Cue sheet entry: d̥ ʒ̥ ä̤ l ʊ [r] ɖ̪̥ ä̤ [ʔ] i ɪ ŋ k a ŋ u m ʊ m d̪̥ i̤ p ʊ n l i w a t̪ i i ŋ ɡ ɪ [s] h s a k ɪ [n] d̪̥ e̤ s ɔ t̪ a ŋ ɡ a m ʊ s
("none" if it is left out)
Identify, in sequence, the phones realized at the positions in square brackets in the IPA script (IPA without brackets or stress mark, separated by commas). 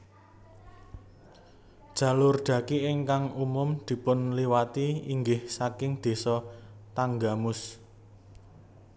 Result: r, k, none, ŋ